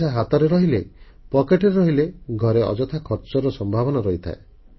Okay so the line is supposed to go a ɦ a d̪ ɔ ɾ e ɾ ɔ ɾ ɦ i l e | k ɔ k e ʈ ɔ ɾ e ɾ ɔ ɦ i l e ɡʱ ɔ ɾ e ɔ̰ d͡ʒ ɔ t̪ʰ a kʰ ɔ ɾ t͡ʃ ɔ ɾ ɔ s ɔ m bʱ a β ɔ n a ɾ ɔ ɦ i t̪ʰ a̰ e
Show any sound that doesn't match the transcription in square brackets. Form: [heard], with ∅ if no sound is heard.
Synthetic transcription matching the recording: a ɦ a [t̪] ɔ ɾ e ɾ ɔ [∅] ɦ i l e | [p] ɔ k e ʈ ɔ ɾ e ɾ ɔ ɦ i l e ɡʱ ɔ ɾ e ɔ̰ d͡ʒ ɔ t̪ʰ a kʰ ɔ ɾ t͡ʃ ɔ ɾ ɔ s ɔ m bʱ a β ɔ n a ɾ ɔ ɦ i t̪ʰ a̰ e